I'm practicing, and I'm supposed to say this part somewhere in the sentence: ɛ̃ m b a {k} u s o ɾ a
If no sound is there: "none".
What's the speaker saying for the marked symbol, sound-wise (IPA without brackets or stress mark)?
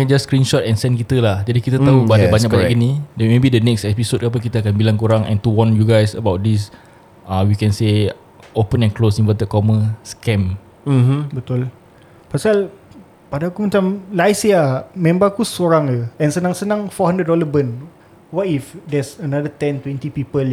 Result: k